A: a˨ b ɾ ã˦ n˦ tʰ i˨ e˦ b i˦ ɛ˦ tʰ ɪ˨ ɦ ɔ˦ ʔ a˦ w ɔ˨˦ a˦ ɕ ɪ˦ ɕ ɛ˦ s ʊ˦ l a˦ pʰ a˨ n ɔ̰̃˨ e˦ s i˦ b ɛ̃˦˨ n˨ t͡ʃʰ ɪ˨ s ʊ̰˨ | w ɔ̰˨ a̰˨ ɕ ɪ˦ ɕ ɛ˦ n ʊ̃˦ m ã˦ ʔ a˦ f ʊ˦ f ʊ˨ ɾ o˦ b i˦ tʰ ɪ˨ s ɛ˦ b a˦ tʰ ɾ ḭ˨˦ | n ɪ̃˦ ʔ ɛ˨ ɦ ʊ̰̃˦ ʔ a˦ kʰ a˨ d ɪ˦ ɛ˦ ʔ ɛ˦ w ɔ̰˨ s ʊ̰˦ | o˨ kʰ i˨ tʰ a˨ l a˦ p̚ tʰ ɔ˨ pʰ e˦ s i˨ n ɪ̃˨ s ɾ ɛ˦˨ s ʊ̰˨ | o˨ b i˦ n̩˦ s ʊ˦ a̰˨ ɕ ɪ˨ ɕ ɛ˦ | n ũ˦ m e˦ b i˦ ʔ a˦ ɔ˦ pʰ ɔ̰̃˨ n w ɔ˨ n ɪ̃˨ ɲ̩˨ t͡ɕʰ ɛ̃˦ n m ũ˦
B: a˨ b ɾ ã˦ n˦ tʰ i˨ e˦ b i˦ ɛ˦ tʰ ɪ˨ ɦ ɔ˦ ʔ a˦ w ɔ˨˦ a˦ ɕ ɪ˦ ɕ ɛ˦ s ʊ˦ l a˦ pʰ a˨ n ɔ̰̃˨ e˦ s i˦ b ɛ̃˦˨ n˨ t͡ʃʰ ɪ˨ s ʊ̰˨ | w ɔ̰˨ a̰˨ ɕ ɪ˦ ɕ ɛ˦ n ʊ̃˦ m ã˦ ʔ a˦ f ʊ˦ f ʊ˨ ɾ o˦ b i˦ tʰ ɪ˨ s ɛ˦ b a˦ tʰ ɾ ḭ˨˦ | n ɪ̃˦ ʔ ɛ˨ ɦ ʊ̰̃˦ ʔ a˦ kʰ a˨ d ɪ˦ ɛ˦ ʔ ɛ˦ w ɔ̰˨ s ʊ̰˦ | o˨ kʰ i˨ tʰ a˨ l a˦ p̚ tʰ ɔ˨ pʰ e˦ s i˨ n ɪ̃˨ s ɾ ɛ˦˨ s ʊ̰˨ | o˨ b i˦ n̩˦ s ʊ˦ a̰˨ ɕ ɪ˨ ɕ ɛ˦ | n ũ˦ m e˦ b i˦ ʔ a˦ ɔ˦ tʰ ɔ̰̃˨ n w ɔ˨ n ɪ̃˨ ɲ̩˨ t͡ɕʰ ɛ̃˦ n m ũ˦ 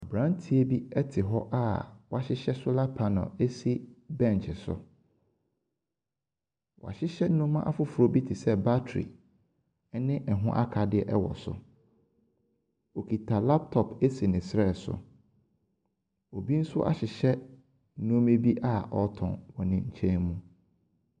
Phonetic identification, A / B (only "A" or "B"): B